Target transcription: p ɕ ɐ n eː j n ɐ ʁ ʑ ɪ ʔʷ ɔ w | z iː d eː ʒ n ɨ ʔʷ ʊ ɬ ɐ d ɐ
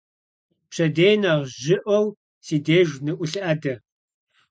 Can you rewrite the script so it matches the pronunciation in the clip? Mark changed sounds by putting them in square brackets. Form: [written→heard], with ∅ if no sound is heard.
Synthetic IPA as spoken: p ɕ ɐ [n→d] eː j n ɐ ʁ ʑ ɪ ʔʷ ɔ w | [z→s] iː d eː ʒ n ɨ ʔʷ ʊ ɬ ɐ d ɐ